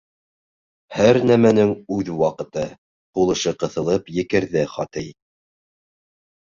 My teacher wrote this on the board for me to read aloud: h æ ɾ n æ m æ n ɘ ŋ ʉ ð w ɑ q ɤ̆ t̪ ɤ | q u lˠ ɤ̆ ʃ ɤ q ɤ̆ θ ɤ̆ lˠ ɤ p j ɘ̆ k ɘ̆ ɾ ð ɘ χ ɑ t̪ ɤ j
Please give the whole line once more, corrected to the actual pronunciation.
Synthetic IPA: h æ ɾ n æ m æ n ɘ ŋ ʉ ð w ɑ q ɤ̆ t̪ ɤ | q u lˠ ɤ̆ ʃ ɤ q ɤ̆ θ ɤ̆ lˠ ɤ p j ɘ̆ k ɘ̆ ɾ ð ɘ χ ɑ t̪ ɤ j